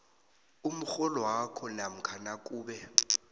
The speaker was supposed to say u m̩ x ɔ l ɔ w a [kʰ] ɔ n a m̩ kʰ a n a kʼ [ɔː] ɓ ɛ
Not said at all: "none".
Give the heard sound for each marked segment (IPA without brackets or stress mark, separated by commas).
kʰ, uː